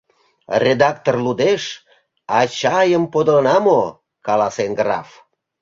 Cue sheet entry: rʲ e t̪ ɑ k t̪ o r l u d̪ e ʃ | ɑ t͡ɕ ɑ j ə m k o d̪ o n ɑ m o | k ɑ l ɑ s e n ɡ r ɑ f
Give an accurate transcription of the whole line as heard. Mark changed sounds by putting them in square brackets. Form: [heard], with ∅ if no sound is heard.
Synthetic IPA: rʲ e [d̪] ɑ k t̪ o r l u d̪ e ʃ | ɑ t͡ɕ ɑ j ə m [p] o d̪ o n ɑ m o | k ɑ l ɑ s e n ɡ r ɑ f